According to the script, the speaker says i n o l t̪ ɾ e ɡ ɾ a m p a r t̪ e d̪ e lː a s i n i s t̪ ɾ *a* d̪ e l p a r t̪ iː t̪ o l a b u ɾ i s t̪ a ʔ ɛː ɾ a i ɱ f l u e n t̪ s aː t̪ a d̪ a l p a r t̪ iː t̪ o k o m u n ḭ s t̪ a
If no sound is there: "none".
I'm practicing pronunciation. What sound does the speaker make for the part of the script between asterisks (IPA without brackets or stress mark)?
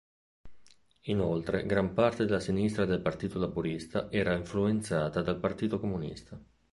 a